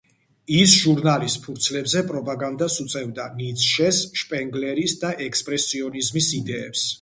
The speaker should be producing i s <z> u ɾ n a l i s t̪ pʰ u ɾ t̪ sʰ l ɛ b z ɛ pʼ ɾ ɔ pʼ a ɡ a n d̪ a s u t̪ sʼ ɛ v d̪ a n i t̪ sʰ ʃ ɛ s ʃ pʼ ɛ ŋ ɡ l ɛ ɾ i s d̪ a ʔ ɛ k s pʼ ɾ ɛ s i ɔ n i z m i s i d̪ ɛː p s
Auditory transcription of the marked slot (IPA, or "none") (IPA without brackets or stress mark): ʒ